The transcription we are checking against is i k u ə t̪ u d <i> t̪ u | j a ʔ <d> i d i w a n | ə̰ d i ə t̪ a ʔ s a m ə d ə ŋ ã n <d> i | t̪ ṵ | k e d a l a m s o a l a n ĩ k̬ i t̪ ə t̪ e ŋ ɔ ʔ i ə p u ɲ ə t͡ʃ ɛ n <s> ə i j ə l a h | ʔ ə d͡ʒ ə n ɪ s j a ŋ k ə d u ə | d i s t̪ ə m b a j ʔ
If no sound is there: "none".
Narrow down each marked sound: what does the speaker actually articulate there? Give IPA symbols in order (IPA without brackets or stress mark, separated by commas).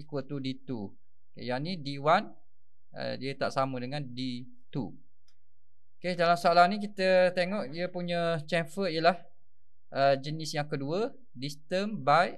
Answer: i, n, d, f